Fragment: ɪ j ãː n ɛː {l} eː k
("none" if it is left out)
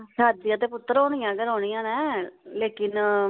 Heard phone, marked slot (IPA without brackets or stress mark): l